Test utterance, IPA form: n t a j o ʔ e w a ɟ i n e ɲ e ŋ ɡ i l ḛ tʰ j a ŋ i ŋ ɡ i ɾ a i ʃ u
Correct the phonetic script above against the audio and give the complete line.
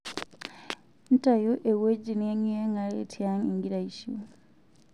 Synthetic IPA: n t a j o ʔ e w e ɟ i n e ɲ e ŋ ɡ a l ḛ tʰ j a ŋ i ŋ ɡ i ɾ a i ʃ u